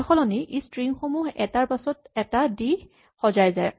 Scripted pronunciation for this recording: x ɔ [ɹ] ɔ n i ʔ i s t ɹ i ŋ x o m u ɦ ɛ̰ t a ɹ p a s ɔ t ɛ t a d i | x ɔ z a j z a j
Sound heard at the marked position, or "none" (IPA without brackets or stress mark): l